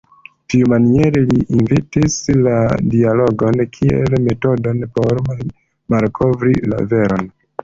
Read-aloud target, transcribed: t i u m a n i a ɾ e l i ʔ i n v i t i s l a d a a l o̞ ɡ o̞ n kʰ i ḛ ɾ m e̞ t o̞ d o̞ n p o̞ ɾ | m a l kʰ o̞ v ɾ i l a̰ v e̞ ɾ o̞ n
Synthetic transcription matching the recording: t i u m a n i e ɾ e l i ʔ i n v i t i s l a d i a l o̞ ɡ o̞ n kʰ i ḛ l m e̞ t o̞ d o̞ n p o̞ ɾ | m a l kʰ o̞ v ɾ i l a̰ v e̞ ɾ o̞ n